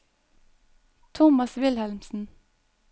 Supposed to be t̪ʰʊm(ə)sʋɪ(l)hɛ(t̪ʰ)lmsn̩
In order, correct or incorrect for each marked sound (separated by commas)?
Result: incorrect, correct, incorrect